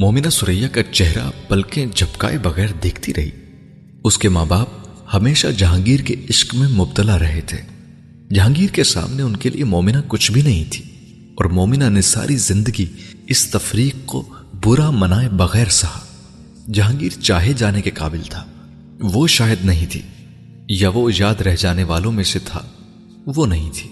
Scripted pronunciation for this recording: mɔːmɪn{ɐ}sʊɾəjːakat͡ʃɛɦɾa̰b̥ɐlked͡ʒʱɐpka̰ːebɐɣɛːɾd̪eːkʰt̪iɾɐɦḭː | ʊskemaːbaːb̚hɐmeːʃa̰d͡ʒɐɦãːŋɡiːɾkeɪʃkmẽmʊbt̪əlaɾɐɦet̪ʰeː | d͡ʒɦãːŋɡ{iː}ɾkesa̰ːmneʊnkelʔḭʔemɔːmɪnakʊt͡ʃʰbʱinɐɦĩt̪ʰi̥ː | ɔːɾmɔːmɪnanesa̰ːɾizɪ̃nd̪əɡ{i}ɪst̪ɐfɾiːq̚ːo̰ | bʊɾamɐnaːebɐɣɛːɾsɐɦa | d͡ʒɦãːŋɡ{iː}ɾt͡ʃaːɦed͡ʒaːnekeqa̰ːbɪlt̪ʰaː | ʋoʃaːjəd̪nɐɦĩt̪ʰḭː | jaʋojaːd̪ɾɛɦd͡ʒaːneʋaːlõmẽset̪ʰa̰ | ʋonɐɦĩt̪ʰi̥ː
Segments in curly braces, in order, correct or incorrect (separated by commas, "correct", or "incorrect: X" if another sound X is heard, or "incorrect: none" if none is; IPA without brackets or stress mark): incorrect: a, correct, correct, correct